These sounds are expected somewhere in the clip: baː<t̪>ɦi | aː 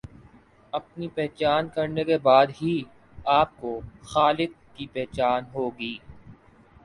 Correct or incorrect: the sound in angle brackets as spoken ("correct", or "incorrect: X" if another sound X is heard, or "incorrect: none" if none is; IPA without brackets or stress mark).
incorrect: d̪